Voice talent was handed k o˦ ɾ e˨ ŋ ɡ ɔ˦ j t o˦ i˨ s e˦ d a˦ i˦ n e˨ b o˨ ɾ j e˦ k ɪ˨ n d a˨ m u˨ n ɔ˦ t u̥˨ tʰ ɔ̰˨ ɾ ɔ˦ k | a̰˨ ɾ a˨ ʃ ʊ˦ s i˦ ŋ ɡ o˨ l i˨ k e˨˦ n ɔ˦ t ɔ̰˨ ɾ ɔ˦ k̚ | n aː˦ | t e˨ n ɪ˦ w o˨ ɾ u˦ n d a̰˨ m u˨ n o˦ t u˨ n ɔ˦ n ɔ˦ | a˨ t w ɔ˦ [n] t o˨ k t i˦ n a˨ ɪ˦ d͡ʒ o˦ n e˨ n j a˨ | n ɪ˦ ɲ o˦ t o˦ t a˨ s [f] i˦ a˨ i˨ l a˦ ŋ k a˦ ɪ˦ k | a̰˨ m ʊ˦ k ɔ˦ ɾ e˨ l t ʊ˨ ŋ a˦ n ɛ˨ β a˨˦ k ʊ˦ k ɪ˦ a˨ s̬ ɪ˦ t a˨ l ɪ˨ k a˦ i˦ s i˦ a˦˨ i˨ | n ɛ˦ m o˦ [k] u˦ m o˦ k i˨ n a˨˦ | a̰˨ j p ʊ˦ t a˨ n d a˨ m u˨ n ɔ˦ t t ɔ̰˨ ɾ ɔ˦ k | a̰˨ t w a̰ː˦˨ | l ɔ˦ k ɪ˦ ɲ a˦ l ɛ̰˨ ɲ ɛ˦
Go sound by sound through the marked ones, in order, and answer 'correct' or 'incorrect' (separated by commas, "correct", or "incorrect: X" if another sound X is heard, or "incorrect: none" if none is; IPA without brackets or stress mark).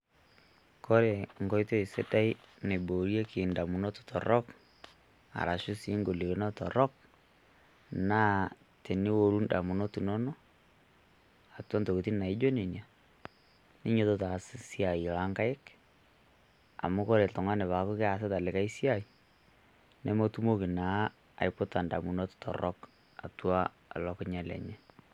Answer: correct, incorrect: s, incorrect: t